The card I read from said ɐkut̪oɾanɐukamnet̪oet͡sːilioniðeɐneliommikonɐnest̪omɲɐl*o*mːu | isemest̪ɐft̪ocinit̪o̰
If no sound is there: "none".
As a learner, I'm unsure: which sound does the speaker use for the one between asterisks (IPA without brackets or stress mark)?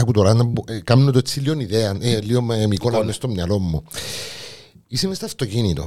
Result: o